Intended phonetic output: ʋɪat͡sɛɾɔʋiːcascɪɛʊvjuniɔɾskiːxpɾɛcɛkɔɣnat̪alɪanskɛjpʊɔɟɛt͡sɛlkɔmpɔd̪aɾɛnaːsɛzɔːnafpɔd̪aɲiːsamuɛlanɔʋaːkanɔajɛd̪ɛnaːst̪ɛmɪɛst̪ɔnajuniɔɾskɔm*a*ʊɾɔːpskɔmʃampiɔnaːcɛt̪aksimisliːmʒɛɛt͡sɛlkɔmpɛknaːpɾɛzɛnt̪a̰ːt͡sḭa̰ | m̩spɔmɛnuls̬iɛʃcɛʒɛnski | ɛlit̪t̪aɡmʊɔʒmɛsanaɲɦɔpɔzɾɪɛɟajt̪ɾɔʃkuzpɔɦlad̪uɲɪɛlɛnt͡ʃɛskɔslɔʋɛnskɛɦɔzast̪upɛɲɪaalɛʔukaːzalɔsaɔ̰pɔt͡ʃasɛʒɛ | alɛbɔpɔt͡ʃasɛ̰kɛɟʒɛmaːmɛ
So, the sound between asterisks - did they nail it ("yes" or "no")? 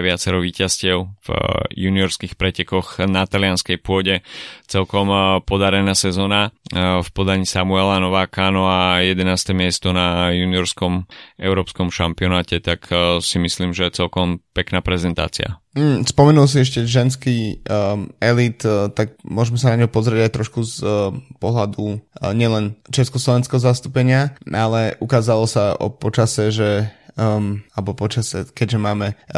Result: no